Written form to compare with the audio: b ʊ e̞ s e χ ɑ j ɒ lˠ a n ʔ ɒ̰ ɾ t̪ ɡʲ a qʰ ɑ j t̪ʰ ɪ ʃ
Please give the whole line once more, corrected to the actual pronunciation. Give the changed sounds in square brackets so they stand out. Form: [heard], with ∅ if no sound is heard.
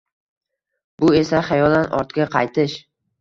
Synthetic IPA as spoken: b ʊ e̞ s [a] χ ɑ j ɒ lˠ a n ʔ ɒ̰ ɾ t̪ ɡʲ a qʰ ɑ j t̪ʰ ɪ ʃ

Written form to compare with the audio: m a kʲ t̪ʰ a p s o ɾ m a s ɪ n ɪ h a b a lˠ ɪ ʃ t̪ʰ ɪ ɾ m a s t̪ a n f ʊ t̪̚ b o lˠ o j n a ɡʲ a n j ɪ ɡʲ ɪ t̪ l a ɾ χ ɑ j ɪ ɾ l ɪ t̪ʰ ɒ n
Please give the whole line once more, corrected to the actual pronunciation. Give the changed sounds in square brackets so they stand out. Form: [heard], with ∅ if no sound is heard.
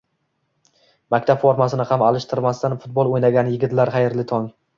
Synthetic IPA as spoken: m a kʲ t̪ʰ a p [f] o ɾ m a s ɪ n ɪ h a [m] a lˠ ɪ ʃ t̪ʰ ɪ ɾ m a s t̪ a n f ʊ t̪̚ b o lˠ o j n a ɡʲ a n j ɪ ɡʲ ɪ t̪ l a ɾ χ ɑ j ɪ ɾ l ɪ t̪ʰ ɒ [ŋ]

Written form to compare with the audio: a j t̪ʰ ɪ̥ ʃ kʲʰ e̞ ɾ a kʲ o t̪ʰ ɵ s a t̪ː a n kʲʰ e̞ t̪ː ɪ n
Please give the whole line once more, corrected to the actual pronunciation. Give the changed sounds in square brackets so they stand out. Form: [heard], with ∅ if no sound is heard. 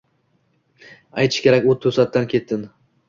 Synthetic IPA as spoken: a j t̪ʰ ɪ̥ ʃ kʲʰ e̞ ɾ a kʲ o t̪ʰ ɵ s a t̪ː a n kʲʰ e̞ t̪ː ɪ n

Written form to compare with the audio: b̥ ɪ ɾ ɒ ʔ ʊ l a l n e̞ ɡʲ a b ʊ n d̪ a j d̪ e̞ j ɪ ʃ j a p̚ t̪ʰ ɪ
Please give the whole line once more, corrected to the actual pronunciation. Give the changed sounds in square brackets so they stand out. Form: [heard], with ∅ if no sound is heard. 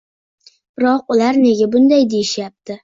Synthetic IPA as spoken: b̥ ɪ ɾ ɒ [q] ʊ l a [ɾ] n e̞ ɡʲ a b ʊ n d̪ a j d̪ e̞ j ɪ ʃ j a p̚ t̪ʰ ɪ

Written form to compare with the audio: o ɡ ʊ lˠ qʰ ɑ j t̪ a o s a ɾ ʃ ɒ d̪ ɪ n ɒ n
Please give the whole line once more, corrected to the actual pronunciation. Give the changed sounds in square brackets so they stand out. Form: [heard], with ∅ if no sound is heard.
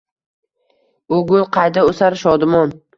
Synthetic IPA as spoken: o ɡ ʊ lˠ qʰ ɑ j [d̪] a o s a ɾ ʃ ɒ d̪ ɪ [m] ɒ n

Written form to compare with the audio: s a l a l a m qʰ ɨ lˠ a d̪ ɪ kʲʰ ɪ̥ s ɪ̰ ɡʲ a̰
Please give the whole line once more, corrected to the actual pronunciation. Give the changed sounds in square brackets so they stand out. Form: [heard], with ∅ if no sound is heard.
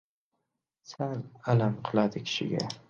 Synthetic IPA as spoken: s a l a l a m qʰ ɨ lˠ a d̪ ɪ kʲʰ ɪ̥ [ʃ] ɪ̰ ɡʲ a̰

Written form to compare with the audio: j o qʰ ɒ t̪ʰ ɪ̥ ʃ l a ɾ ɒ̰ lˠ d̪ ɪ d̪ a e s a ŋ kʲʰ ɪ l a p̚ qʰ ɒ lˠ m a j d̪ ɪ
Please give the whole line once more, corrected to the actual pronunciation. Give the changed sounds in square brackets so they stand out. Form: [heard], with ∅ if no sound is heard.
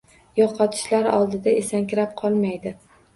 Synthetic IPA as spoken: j [ɒ] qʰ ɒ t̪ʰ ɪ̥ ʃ l a ɾ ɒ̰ lˠ d̪ ɪ d̪ a e s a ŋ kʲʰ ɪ [ɾ] a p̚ qʰ ɒ lˠ m a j d̪ ɪ

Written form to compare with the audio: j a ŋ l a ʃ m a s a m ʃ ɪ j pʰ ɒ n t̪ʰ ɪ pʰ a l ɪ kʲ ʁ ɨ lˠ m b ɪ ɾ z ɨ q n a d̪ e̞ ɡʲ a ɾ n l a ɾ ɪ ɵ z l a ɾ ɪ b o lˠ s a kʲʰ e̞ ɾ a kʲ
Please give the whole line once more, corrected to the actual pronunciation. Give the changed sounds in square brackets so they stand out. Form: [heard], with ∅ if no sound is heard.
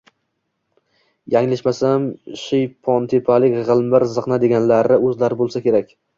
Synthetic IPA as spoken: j a ŋ l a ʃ m a s a m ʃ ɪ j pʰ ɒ n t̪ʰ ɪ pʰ a l ɪ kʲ ʁ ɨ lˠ m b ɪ ɾ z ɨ q n a d̪ e̞ ɡʲ a [∅] n l a ɾ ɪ ɵ z l a ɾ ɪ b o lˠ s a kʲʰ e̞ ɾ a kʲ

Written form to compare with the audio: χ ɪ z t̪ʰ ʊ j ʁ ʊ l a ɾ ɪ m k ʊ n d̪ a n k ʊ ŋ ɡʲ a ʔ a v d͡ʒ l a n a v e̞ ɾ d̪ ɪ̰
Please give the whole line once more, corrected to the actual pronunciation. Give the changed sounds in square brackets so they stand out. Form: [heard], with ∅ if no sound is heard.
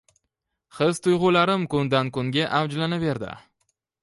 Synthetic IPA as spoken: χ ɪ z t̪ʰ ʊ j ʁ ʊ l a ɾ ɪ m k ʊ n d̪ a n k ʊ ŋ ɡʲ a ʔ a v d͡ʒ l a n a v e̞ ɾ d̪ ɪ̰

